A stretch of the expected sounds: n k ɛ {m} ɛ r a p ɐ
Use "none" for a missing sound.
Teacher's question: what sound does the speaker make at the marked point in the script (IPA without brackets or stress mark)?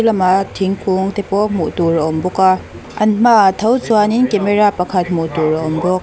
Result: m